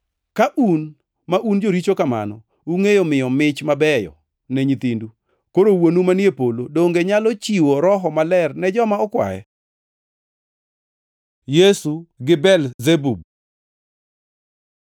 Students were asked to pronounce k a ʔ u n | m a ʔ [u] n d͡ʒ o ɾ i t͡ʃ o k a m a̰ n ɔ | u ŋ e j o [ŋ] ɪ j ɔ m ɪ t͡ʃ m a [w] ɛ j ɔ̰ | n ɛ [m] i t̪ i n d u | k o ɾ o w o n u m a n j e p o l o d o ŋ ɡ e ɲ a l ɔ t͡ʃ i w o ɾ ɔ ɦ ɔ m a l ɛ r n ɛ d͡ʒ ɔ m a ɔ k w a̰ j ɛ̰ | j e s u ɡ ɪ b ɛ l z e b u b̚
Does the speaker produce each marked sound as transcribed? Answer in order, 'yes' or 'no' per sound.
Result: yes, no, no, no

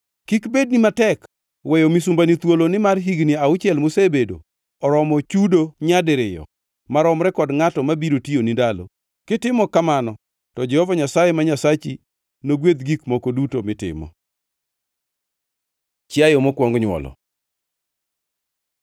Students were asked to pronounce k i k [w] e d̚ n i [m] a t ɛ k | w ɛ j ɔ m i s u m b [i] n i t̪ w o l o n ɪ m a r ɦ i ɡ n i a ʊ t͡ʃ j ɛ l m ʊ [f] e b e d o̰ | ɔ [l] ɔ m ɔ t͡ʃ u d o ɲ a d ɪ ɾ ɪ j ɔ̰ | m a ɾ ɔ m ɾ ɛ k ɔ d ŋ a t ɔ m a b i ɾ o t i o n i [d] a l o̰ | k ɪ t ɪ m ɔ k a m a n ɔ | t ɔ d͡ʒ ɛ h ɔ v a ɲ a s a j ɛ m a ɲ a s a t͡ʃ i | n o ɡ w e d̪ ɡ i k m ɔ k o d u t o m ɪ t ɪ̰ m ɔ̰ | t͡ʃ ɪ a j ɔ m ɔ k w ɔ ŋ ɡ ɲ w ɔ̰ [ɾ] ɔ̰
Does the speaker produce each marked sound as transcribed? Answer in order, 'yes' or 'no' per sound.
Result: no, yes, no, no, no, yes, no

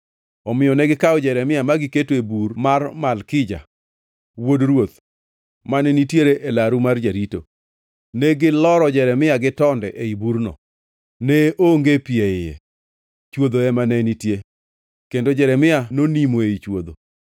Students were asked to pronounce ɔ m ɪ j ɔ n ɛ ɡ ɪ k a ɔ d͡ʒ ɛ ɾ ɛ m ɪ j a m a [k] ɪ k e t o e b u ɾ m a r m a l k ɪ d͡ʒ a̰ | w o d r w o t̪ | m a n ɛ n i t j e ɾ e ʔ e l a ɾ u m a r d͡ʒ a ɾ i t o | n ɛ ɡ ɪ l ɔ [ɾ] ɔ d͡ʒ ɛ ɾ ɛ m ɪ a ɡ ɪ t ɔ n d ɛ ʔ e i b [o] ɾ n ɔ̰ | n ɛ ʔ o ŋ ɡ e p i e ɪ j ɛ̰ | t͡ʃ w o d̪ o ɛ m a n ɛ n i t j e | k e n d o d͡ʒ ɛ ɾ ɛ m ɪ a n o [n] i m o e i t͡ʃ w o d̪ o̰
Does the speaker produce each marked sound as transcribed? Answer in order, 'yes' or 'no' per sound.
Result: no, yes, no, yes

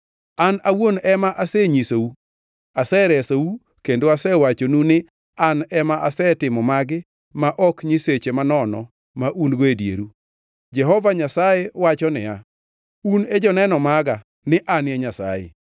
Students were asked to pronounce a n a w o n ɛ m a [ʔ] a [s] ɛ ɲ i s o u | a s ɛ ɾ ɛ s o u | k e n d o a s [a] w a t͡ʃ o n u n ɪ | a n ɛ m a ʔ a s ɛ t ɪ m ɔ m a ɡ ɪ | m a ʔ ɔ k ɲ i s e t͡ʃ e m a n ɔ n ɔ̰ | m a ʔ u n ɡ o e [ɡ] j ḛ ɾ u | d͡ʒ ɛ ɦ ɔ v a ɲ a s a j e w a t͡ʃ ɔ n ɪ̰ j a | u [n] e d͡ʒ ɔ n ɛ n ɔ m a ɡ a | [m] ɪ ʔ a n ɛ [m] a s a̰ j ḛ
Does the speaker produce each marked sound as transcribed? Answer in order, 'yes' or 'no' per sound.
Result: yes, yes, no, no, yes, no, no

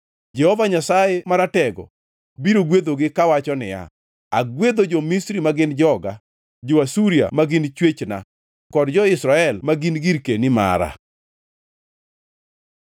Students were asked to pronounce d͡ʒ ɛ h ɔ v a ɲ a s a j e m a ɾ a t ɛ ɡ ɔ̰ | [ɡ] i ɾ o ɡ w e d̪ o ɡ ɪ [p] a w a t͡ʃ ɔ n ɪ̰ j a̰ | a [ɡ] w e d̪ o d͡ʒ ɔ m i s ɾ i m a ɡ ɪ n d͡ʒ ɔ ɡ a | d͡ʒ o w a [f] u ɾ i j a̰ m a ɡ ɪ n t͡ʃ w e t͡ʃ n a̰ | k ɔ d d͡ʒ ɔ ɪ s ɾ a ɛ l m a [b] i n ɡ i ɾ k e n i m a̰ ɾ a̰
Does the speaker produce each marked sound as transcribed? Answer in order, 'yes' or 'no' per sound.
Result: no, no, yes, no, no

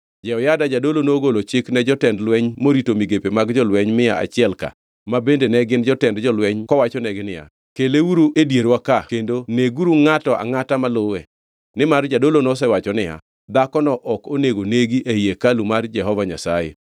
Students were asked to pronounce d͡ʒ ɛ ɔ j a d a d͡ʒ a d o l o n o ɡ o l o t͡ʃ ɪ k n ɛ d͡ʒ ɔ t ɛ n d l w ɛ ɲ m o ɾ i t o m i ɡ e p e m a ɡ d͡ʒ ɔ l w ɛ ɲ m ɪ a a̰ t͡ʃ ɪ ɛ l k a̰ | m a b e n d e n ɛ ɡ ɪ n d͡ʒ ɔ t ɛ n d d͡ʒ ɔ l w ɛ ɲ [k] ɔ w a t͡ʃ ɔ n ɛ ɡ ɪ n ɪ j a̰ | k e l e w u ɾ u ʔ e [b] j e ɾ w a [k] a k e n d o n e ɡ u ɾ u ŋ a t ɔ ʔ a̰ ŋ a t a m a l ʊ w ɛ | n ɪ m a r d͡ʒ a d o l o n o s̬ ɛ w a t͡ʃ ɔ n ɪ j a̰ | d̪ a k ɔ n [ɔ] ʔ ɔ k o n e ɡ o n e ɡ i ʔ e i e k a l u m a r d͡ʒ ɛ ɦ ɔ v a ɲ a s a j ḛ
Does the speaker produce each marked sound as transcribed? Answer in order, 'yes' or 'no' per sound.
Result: yes, no, yes, yes

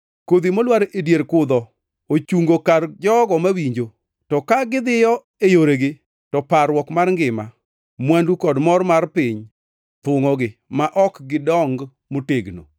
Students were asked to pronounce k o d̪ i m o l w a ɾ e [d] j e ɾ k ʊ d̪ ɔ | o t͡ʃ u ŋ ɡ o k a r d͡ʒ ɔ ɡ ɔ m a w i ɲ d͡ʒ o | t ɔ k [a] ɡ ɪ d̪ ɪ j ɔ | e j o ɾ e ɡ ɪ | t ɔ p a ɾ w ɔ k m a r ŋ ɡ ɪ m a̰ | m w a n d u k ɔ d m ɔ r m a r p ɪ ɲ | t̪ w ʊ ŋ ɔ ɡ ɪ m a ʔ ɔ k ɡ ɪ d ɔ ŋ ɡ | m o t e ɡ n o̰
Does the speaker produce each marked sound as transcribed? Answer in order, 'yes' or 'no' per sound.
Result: yes, yes

